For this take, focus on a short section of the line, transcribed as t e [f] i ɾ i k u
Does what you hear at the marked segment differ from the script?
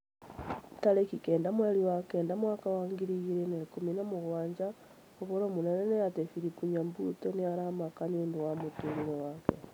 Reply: no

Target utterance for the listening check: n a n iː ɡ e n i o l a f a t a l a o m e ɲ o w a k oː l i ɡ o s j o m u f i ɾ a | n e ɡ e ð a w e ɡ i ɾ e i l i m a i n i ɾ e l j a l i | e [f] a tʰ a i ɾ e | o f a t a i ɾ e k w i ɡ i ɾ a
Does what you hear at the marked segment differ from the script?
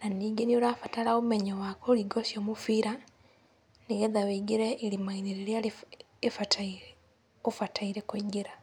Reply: no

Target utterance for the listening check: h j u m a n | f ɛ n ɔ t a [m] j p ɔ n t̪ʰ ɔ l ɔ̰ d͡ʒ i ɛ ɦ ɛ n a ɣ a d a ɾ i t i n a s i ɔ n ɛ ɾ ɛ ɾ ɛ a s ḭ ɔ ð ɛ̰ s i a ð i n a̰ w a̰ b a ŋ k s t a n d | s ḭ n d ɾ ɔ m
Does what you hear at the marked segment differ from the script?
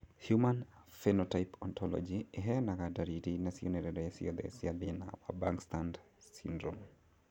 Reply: yes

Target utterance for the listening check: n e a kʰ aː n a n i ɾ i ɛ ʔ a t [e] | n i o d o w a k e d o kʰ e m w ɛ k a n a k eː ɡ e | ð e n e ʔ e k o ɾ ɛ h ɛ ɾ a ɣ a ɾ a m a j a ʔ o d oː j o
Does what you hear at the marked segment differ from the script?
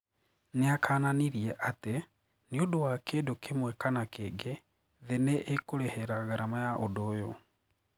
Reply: no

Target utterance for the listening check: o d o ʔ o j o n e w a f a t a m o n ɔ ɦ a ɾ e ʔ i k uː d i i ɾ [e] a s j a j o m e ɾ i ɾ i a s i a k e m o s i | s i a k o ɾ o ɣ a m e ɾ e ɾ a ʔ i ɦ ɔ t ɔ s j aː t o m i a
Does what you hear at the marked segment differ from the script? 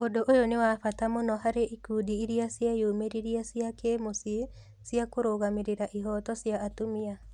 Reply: yes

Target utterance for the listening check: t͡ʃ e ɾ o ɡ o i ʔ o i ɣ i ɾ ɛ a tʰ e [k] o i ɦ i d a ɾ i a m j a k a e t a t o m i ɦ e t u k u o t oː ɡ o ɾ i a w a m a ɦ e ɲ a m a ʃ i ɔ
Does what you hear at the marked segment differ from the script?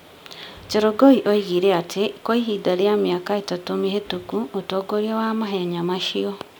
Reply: no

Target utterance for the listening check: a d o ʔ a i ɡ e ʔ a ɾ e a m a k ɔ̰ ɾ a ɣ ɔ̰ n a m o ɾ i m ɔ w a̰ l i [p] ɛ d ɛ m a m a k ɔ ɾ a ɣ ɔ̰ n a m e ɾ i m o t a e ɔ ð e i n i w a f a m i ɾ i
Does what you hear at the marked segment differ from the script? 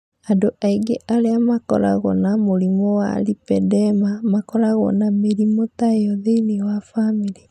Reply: no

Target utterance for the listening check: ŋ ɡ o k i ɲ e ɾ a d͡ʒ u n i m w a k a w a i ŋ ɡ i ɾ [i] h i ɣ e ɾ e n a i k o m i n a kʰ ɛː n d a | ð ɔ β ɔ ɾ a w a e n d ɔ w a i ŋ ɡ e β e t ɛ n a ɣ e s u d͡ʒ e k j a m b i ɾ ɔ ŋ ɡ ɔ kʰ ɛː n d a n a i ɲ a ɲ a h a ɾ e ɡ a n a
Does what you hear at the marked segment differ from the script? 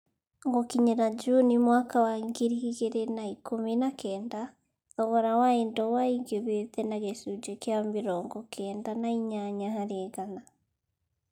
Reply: no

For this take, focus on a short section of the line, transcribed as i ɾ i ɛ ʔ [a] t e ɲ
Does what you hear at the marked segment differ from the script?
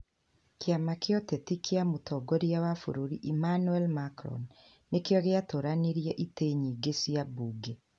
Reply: yes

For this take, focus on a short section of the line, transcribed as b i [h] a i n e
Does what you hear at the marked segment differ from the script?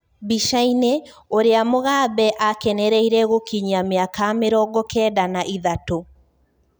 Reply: yes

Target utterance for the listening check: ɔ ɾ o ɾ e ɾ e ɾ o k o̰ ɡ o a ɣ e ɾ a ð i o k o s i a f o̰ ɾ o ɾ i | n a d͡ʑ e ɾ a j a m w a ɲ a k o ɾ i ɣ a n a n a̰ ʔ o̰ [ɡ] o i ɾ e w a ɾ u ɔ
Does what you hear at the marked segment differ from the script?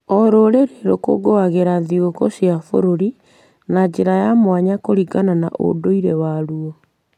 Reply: yes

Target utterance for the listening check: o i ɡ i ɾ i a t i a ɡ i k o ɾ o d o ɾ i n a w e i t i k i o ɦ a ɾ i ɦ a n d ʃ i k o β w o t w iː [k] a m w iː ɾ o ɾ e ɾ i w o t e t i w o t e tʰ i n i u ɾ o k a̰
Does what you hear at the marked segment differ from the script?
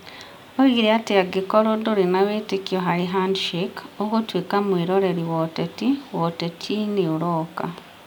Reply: no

